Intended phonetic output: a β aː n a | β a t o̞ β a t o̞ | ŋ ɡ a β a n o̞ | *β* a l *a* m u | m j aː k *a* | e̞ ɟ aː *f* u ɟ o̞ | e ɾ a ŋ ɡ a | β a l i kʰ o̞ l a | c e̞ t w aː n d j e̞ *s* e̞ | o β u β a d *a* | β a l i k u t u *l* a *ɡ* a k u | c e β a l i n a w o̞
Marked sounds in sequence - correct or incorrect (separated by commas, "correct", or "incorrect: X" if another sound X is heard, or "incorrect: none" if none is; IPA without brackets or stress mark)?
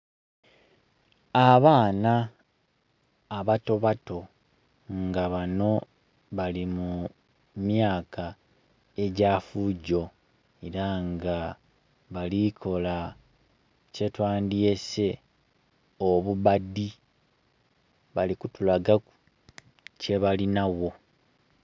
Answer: correct, incorrect: i, correct, correct, correct, incorrect: i, correct, correct